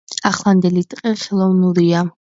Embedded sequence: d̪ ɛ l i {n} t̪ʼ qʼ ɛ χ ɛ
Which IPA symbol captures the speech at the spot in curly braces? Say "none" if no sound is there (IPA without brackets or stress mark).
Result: none